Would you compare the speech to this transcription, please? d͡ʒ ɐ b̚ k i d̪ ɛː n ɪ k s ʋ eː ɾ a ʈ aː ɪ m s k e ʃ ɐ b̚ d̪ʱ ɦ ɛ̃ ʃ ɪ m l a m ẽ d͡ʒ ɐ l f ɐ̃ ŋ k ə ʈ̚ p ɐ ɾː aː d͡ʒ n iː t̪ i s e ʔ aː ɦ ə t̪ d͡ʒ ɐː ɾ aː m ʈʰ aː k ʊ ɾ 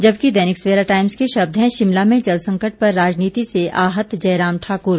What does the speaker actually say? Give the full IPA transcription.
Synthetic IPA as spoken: d͡ʒ ɐ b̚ k i d̪ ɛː n ɪ k s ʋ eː ɾ a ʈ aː ɪ m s k e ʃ ɐ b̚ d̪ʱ ɦ ɛ̃ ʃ ɪ m l a m ẽ d͡ʒ ɐ l s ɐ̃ ŋ k ə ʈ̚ p ɐ ɾː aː d͡ʒ n iː t̪ i s e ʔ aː ɦ ə t̪ d͡ʒ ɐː ɾ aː m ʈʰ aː k ʊ ɾ